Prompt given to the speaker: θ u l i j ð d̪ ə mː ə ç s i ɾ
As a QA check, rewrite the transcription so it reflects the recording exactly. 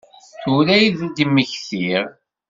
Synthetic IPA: θ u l æ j ð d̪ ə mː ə ç θ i ɾ